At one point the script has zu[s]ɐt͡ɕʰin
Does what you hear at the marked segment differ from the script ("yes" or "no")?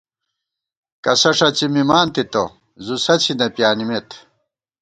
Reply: no